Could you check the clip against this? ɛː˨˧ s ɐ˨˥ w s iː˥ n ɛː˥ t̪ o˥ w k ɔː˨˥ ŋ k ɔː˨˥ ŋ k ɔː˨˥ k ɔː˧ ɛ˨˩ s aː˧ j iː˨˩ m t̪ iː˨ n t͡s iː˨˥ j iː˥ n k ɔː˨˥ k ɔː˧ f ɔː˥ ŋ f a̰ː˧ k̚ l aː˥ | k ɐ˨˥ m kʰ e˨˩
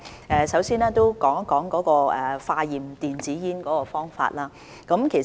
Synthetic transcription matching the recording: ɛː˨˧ s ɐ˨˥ w s iː˥ n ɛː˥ t̪ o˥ w k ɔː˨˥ ŋ k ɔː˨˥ ŋ k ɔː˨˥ k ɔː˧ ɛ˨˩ f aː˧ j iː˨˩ m t̪ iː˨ n t͡s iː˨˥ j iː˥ n k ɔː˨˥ k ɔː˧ f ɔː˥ ŋ f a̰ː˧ t̚ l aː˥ | k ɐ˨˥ m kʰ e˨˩

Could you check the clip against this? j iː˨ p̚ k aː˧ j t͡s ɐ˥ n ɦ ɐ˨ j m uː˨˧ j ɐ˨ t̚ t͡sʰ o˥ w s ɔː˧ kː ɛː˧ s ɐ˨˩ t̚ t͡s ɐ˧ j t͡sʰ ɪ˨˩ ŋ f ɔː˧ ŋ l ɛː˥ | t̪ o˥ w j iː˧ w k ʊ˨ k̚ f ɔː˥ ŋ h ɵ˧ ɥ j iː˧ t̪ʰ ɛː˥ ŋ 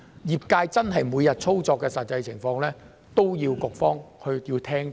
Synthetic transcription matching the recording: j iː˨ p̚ k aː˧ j t͡s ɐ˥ n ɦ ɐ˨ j m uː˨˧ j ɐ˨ t̚ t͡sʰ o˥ w t͡s ɔː˧ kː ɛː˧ s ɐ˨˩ t̚ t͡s ɐ˧ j t͡sʰ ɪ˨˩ ŋ f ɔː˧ ŋ l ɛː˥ | t̪ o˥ w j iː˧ w k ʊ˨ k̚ f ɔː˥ ŋ h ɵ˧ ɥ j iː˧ t̪ʰ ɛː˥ ŋ

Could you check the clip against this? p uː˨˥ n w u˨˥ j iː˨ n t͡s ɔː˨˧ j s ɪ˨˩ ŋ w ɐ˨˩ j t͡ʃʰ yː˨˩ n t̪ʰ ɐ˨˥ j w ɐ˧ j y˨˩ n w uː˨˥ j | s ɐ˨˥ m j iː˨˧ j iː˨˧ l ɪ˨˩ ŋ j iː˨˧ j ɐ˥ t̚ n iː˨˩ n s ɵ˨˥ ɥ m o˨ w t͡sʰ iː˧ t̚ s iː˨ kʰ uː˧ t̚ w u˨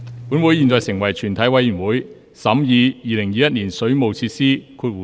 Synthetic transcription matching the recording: p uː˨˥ n w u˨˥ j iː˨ n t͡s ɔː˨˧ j s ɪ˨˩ ŋ w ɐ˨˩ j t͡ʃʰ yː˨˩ n t̪ʰ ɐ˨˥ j w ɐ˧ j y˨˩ n w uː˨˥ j | s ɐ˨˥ m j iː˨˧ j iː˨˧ l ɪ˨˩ ŋ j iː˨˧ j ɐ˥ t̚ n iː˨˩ n s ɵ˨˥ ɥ m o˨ w t͡sʰ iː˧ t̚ s iː˥ kʰ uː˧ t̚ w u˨

